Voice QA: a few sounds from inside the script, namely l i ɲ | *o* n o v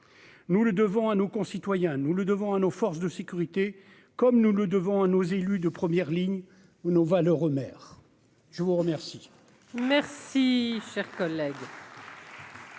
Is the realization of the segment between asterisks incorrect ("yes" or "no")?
yes